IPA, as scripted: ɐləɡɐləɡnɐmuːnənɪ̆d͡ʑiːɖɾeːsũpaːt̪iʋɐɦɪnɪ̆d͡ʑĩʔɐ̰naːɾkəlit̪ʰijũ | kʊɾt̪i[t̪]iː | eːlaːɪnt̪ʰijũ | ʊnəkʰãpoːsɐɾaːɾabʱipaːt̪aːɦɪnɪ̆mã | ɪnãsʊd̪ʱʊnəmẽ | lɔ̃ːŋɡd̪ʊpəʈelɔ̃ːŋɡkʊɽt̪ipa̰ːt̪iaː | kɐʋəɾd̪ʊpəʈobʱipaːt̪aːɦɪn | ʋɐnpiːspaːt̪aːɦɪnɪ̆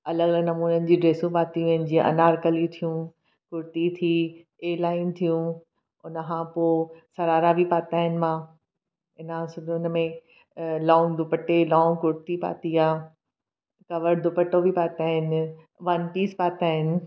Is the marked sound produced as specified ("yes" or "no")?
no